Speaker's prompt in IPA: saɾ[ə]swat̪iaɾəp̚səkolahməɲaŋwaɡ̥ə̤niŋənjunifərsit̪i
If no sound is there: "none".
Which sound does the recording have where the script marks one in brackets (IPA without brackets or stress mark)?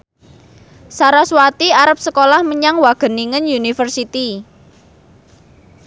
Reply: a